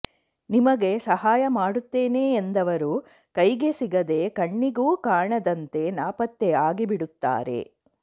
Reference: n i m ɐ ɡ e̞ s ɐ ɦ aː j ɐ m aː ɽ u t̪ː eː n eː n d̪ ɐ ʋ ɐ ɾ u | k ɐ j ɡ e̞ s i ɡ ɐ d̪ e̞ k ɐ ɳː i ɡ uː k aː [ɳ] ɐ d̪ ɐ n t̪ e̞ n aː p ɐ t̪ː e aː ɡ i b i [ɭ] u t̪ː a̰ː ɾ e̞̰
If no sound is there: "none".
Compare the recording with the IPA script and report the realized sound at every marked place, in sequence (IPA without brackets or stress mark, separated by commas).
ɳ, ɽ